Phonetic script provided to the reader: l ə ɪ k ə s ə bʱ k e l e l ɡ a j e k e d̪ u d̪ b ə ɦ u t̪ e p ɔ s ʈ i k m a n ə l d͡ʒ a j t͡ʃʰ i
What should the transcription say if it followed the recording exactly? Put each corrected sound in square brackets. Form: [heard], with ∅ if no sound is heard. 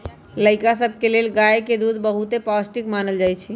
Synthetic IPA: l ə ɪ k [a] s ə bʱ k e l e l ɡ a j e k e d̪ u d̪ b ə ɦ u t̪ e p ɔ s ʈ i k m a n ə l d͡ʒ a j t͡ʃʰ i